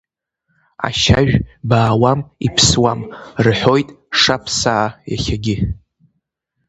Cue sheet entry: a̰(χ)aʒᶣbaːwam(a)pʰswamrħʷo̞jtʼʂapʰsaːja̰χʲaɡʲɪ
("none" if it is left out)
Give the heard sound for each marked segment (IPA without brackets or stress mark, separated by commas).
ʃ, i